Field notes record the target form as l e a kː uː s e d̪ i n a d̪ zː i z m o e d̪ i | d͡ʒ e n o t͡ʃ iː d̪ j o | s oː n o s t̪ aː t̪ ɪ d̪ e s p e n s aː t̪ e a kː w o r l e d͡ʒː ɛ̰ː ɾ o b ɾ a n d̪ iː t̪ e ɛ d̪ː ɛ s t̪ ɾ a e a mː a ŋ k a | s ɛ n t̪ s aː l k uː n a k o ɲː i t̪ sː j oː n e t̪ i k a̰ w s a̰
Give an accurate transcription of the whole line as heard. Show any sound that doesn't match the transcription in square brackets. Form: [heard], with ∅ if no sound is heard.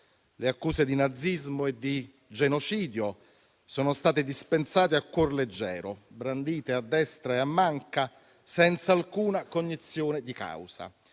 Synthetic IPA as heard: l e a kː uː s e d̪ i n a d̪ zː i z m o e d̪ i | d͡ʒ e n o t͡ʃ iː d̪ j o | s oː n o s t̪ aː t̪ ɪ d̪ [i] s p e n s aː t̪ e a kː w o r l e d͡ʒː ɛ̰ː ɾ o b ɾ a n d̪ iː t̪ e [a] d̪ː ɛ s t̪ ɾ a e a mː a ŋ k a | s ɛ n t̪ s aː l k uː n a k o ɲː i t̪ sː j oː n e [d̪] i k a̰ w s a̰